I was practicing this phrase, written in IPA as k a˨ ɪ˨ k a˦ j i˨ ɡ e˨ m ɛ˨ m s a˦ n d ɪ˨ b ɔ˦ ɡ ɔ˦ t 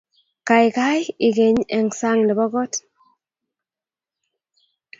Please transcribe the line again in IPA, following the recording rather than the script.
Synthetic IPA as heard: k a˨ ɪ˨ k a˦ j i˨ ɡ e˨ ɲ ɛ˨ ŋ s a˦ ŋ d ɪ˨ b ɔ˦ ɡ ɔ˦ t